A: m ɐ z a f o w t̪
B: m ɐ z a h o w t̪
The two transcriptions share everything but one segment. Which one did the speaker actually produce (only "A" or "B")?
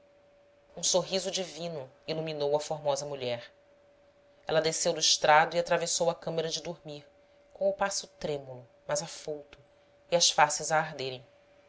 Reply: A